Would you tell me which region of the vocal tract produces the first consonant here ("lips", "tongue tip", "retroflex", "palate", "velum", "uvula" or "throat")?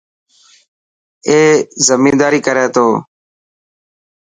tongue tip